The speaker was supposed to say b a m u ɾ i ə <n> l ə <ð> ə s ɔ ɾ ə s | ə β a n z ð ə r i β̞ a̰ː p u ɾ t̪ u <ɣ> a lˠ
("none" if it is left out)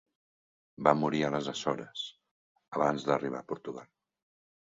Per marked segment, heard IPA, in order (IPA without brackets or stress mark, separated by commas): none, z, ɣ